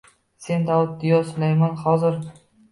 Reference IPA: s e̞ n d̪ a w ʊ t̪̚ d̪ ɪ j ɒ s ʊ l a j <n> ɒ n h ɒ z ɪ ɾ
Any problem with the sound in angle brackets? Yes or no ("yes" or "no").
yes